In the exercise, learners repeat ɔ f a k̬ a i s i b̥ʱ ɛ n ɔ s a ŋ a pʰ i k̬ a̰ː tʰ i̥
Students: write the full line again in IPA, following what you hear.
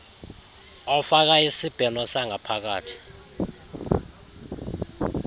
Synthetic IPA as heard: ɔ f a k̬ a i s i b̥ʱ ɛ n ɔ s a ŋ a pʰ a k̬ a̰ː tʰ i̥